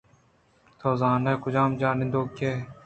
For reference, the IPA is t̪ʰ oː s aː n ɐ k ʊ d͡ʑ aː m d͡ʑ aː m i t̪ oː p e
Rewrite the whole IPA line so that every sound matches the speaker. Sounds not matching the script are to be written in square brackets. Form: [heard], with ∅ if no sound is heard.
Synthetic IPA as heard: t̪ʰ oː [z] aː n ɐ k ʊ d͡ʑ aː m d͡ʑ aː [n] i [d̪] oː [k] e